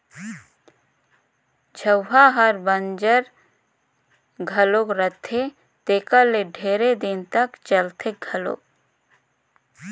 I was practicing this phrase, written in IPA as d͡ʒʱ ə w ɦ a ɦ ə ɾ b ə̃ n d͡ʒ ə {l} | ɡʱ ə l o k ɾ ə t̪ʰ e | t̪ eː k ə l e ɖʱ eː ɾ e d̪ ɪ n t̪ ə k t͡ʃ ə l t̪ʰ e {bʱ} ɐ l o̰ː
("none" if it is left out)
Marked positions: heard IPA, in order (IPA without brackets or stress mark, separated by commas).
ɾ, ɡʱ